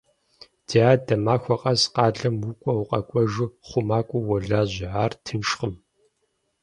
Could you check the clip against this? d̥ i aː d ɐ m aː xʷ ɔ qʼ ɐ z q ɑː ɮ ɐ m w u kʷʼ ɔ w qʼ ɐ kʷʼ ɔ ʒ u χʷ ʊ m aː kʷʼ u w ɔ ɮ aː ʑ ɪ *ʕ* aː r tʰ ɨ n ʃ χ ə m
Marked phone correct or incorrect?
correct